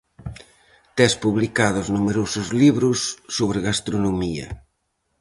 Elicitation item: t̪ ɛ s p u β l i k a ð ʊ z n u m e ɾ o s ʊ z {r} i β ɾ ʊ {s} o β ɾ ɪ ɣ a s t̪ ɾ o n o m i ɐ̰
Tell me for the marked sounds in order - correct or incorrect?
incorrect: l, incorrect: sː

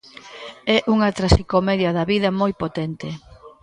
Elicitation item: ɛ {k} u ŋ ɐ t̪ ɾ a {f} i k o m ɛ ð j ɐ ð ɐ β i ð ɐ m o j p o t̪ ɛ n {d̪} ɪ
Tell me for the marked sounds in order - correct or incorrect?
incorrect: ʔ, incorrect: s, incorrect: t̪

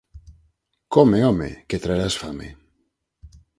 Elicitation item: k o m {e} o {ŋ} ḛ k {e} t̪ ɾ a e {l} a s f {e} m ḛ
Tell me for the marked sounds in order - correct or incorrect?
correct, incorrect: m, correct, incorrect: ɾ, incorrect: a

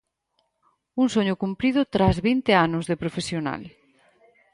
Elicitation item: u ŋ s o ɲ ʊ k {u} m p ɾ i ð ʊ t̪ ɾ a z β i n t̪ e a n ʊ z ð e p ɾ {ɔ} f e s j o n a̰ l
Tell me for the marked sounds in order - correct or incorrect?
correct, incorrect: o

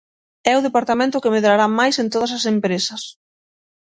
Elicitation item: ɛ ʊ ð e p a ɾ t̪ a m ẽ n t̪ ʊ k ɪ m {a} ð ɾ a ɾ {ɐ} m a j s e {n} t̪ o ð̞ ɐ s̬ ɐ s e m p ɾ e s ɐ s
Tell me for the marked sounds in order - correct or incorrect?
incorrect: e, incorrect: a, correct

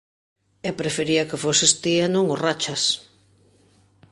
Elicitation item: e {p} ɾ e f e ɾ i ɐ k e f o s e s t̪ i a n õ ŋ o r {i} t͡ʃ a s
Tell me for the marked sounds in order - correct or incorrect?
correct, incorrect: a

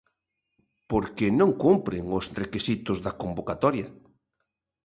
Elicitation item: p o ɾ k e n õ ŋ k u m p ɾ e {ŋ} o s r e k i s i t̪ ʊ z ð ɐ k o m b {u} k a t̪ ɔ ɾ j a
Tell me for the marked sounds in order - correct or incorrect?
correct, incorrect: o

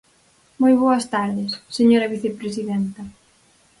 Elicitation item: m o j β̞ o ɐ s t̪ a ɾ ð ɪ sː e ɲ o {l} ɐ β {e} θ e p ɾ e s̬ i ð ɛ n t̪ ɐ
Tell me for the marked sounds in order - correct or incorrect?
incorrect: ɾ, incorrect: i

